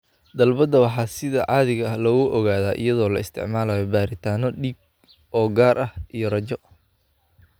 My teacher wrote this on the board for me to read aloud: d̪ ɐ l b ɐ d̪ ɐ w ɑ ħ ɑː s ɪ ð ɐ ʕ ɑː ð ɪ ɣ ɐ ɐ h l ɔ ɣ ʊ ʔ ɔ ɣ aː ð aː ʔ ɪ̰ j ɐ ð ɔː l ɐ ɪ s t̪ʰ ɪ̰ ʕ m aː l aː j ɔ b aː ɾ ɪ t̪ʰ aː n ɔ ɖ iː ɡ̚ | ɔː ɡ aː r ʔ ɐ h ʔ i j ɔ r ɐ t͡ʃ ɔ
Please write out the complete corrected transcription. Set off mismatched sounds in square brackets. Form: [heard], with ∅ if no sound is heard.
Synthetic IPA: d̪ ɐ l b ɐ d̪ ɐ w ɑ ħ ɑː s ɪ ð ɐ ʕ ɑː ð ɪ ɣ ɐ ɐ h l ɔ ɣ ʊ ʔ ɔ ɣ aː ð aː ʔ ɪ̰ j ɐ ð ɔː l ɐ ɪ s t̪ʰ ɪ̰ ʕ m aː l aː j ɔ b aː ɾ ɪ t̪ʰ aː n ɔ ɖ iː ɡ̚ | ɔː ɡ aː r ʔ ɐ h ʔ i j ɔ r ɐ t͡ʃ ɔ